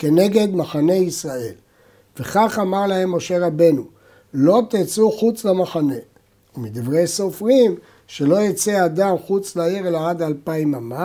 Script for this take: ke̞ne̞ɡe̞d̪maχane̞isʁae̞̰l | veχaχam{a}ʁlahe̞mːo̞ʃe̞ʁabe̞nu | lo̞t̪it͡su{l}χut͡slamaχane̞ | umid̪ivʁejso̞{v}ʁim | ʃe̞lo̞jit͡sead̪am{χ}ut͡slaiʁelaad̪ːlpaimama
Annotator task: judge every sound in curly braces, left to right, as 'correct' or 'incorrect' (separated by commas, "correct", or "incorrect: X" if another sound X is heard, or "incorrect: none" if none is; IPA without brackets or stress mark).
correct, incorrect: none, incorrect: f, correct